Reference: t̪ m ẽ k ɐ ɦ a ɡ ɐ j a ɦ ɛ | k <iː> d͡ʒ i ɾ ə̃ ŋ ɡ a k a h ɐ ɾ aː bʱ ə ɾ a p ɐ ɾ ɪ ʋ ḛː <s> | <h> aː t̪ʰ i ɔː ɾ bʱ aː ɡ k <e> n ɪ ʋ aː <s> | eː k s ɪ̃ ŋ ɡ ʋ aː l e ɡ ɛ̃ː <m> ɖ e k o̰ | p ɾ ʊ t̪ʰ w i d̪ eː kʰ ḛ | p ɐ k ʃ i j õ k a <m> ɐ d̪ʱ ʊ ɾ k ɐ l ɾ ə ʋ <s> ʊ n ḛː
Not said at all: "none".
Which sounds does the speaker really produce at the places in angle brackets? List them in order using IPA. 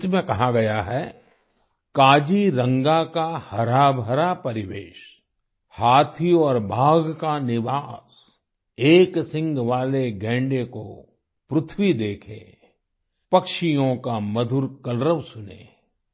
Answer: aː, ʃ, h, a, s, ɳ, m, s

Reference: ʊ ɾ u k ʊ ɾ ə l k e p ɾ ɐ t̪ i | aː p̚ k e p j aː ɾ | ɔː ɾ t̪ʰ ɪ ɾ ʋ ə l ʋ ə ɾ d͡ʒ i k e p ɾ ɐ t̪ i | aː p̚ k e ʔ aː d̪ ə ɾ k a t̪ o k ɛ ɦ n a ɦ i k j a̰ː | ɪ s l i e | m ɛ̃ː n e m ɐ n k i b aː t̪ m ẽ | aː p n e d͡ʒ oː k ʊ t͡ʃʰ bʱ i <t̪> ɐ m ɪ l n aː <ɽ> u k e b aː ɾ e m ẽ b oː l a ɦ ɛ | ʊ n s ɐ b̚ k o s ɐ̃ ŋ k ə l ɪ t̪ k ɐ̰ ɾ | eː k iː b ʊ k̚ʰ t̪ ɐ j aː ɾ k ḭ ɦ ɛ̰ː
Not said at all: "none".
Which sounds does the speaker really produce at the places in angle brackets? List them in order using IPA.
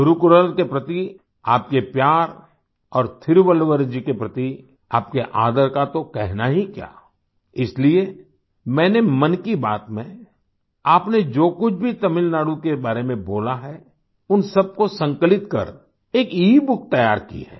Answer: t̪, ɽ

